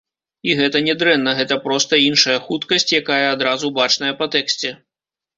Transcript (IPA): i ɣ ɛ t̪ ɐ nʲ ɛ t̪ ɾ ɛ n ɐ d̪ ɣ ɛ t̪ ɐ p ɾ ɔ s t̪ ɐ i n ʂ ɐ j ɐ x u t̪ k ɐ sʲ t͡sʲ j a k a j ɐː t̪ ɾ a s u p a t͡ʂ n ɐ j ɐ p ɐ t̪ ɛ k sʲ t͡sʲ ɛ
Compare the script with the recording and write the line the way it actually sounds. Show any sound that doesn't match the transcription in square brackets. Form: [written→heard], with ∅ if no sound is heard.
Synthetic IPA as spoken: i ɣ ɛ t̪ ɐ nʲ ɛ [t̪→d̪] ɾ ɛ [n→nː] ɐ [d̪→∅] ɣ ɛ t̪ ɐ p ɾ ɔ s t̪ ɐ i n ʂ ɐ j ɐ x u t̪ k ɐ sʲ t͡sʲ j a k a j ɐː [t̪→d̪] ɾ a [s→z] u [p→b] a t͡ʂ n ɐ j ɐ p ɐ t̪ ɛ k sʲ t͡sʲ ɛ